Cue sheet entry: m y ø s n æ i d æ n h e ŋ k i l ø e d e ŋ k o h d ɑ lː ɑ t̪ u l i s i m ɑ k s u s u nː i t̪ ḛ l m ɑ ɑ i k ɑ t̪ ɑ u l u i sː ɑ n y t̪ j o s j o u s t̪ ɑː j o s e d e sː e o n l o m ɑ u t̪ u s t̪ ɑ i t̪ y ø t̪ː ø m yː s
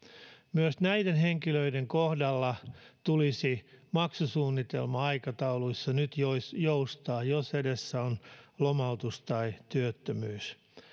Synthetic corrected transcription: m y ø s n æ i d e n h e ŋ k i l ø i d e ŋ k o h d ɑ lː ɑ t̪ u l i s i m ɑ k s u s uː nː i t̪ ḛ l m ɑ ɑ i k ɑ t̪ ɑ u l u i sː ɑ n y t̪ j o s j o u s t̪ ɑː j o s e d e sː æ o n l o m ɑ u t̪ u s t̪ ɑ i t̪ y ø t̪ː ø m yː s